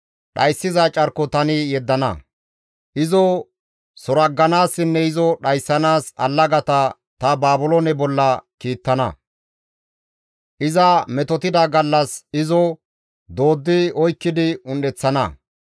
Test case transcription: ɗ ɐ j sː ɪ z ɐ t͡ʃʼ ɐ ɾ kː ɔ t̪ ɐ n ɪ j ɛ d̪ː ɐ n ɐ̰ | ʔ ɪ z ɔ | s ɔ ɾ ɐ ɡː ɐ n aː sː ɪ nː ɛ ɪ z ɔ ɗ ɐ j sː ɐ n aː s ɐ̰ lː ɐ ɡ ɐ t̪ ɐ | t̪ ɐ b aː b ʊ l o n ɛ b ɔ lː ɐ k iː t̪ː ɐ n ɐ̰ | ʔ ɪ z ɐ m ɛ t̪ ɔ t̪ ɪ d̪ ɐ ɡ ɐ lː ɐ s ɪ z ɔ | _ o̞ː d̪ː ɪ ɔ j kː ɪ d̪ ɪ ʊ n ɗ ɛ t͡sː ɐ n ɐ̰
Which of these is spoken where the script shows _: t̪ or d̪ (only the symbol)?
d̪